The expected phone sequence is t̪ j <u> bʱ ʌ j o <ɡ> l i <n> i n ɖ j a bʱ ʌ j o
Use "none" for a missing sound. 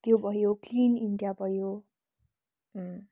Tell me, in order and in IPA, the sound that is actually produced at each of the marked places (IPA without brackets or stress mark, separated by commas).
o, k, n